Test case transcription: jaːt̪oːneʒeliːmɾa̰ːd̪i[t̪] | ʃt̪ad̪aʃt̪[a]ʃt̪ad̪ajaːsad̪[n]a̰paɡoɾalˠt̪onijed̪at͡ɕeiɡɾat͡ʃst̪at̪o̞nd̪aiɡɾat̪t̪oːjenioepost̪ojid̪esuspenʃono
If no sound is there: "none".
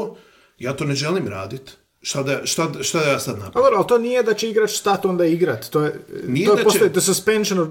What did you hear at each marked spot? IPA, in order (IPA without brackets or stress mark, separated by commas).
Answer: t̪, a, n